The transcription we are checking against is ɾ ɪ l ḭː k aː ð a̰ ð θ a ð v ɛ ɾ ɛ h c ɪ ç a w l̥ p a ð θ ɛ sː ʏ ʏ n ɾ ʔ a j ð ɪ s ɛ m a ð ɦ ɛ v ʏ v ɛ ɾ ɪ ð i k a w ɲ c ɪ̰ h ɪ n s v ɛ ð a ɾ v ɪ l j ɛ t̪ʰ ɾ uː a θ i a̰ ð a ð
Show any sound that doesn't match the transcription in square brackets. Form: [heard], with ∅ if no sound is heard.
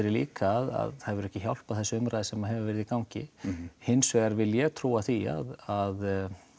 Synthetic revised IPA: ɾ ɪ l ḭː k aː ð a̰ ð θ a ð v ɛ ɾ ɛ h c ɪ ç a w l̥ p a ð θ ɛ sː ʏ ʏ [m] ɾ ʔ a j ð ɪ s ɛ m a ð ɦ ɛ v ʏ v ɛ ɾ ɪ ð i k a w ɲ c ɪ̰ h ɪ n s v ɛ [ɣ] a ɾ v ɪ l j ɛ t̪ʰ ɾ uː a θ i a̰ ð a ð